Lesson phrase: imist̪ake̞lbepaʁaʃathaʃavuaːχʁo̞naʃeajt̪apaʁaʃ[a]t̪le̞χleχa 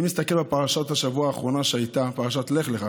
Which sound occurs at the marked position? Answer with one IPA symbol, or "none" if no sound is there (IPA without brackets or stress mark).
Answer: a